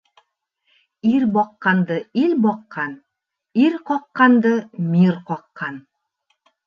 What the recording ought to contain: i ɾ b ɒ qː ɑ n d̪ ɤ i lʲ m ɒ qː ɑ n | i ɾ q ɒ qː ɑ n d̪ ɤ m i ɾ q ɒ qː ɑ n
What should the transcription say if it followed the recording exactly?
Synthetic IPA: i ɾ b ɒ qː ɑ n d̪ ɤ i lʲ b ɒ qː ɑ n | i ɾ q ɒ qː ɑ n d̪ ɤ m i ɾ q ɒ qː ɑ n